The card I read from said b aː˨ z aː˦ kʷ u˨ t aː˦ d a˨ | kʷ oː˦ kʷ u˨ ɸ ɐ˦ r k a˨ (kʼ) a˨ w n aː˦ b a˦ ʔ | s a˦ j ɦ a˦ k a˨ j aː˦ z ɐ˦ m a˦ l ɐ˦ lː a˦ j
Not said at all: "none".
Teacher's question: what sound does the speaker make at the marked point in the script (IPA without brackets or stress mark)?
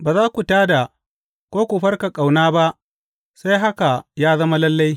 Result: kʼ